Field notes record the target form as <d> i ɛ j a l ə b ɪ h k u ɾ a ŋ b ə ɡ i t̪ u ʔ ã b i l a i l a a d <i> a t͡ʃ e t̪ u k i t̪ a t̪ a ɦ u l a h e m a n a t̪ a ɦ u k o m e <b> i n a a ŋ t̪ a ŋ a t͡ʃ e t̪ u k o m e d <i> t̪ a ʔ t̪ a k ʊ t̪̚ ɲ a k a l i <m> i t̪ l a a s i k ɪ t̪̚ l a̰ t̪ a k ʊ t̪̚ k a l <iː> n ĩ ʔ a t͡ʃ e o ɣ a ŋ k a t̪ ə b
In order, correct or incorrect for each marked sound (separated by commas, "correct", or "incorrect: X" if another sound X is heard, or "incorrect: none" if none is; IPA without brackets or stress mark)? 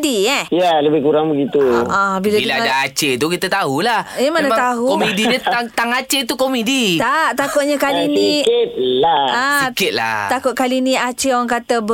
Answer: correct, incorrect: a, incorrect: d, correct, incorrect: n, incorrect: i